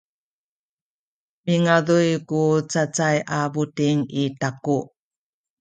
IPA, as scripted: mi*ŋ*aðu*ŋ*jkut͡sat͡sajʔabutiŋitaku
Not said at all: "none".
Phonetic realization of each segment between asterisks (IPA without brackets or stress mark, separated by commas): ŋ, none